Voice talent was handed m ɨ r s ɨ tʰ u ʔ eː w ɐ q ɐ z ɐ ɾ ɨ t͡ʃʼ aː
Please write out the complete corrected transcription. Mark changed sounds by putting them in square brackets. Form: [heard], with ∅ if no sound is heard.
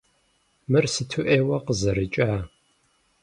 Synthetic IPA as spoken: m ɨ r s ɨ tʰ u ʔ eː w ɐ q [ə] z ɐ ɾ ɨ t͡ʃʼ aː